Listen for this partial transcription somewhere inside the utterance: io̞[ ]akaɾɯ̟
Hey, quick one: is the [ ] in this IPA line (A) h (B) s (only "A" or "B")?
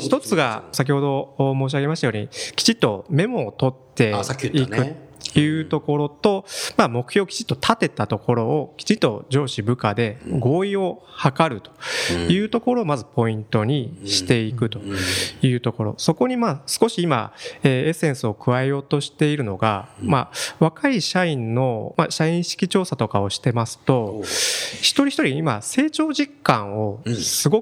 A